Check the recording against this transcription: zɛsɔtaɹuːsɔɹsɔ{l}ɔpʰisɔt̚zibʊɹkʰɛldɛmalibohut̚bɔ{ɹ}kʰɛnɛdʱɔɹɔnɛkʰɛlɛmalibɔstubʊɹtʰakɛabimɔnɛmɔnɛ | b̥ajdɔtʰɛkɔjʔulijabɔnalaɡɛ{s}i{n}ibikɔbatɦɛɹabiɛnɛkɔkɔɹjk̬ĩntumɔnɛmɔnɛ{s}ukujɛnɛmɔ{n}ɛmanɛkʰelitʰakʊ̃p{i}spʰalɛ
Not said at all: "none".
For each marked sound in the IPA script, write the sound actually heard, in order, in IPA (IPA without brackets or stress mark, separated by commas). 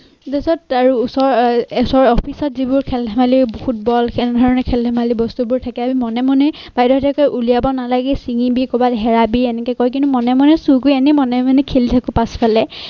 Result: ɹ, l, s, ŋ, s, n, a